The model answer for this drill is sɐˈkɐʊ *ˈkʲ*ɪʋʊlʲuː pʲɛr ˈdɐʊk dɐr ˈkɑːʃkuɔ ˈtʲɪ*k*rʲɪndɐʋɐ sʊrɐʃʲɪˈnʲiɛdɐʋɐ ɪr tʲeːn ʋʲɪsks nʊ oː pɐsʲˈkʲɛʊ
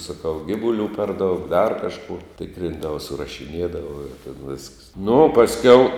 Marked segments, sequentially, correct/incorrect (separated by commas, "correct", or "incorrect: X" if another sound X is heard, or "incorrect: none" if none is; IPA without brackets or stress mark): incorrect: ɡʲ, correct